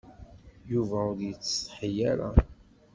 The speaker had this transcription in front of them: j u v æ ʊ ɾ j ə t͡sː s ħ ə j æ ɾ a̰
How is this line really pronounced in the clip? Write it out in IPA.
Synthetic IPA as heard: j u v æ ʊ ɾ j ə t͡sː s ħ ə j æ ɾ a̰